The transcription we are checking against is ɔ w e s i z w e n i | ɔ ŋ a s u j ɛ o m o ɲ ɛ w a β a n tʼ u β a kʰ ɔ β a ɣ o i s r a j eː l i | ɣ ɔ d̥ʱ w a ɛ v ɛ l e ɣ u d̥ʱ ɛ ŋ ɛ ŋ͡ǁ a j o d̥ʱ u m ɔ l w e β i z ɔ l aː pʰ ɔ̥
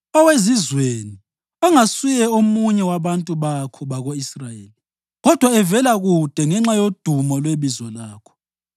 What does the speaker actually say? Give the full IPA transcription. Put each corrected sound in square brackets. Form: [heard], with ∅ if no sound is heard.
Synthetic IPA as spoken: ɔ w e [z] i z w e n i | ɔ ŋ a s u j ɛ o m [u] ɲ ɛ w a β a n tʼ u β a kʰ ɔ β a ɣ o i s r a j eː l i | ɣ ɔ d̥ʱ w a ɛ v ɛ l [a] ɣ u d̥ʱ ɛ ŋ ɛ ŋ͡ǁ a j o d̥ʱ u m ɔ l w e β i z ɔ l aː [kʰ] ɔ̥